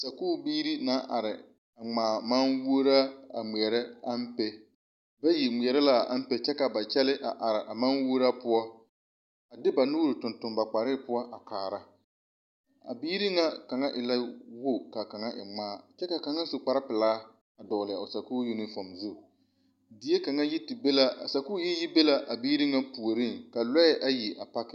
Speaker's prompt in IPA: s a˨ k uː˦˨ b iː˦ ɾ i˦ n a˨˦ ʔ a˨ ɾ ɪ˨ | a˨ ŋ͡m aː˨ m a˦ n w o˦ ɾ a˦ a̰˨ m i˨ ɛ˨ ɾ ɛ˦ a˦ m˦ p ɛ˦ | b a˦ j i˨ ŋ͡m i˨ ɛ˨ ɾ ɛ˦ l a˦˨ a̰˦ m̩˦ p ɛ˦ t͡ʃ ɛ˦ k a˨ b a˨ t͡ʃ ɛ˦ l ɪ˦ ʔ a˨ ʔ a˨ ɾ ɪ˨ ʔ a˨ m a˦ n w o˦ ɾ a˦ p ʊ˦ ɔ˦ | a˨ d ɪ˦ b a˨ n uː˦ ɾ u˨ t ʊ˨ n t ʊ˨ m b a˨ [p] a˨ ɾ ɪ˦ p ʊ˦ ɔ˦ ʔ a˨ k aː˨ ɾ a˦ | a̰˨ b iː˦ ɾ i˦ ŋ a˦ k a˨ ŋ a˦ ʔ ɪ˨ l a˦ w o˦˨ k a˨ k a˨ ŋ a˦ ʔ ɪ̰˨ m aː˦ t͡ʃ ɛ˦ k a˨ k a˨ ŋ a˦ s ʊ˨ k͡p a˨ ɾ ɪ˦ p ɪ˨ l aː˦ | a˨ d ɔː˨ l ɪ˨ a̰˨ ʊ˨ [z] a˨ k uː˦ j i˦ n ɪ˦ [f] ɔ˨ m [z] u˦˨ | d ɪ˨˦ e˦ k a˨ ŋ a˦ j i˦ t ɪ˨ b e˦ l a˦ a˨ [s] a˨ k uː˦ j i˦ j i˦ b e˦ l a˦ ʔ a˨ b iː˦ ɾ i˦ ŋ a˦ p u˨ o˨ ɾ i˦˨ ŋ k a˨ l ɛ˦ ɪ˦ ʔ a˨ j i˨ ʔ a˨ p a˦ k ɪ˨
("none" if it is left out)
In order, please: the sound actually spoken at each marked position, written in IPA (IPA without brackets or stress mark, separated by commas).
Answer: k͡p, s, f, z, s